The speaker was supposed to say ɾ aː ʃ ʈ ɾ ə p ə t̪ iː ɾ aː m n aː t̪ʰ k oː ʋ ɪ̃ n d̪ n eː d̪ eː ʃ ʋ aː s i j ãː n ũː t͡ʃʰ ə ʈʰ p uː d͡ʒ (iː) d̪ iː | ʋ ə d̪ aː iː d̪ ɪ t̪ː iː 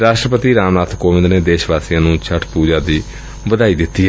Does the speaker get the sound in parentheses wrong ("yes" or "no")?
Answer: yes